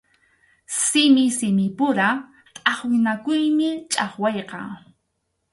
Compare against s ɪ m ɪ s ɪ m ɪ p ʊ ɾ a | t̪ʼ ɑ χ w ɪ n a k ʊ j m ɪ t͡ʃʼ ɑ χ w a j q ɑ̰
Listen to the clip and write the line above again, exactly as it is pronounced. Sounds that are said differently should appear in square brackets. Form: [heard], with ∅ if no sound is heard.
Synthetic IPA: s ɪ m ɪ s ɪ m ɪ p ʊ ɾ a | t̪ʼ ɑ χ w ɪ n a k ʊ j m ɪ t͡ʃʼ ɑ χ w [ɑ] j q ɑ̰